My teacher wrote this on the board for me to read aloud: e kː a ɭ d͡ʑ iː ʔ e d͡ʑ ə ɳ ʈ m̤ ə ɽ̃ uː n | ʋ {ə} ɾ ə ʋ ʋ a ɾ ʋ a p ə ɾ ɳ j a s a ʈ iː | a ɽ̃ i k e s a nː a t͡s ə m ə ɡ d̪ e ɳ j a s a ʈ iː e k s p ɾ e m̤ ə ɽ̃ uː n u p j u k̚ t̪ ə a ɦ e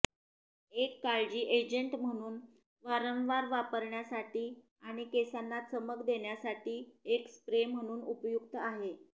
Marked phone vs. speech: incorrect: a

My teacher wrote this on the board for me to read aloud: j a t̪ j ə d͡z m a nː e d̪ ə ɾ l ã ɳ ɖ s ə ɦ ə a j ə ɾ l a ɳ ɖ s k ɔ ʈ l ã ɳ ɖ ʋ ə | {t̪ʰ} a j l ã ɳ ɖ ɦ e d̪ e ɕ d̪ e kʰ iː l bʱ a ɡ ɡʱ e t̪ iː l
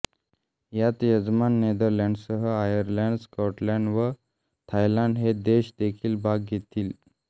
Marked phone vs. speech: correct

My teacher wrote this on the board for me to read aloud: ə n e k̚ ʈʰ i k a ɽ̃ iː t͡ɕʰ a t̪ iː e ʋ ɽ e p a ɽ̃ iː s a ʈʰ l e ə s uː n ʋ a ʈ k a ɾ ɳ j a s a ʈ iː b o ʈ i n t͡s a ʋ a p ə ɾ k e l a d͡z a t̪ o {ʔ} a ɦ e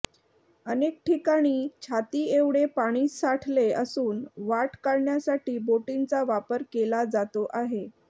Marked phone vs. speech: correct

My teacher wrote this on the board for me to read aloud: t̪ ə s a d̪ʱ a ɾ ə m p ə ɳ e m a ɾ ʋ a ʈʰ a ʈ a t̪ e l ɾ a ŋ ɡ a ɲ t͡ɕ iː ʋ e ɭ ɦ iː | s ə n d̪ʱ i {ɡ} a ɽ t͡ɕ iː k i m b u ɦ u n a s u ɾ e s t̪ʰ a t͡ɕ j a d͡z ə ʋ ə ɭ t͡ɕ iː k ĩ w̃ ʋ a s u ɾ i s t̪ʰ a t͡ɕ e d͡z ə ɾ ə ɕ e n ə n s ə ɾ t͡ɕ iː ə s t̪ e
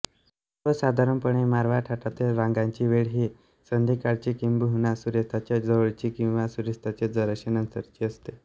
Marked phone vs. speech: incorrect: k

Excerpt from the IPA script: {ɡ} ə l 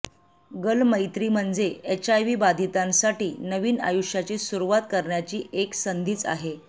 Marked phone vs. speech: correct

